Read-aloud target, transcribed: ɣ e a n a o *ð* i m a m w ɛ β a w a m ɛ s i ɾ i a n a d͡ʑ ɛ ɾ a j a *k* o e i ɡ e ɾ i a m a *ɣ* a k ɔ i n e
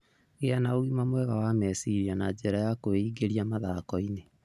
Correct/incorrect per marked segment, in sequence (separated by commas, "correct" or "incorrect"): incorrect, correct, incorrect